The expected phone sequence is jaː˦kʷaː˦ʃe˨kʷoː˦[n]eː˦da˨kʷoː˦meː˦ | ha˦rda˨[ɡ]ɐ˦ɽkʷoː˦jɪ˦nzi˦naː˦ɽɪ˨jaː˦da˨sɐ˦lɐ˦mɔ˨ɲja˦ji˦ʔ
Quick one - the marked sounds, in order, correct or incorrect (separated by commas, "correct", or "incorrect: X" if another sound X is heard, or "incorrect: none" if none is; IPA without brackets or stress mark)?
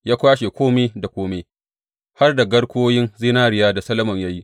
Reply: incorrect: m, correct